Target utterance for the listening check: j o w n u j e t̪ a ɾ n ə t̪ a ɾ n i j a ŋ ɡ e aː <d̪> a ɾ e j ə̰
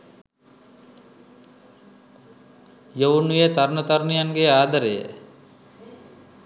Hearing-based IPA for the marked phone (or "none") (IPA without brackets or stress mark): d̪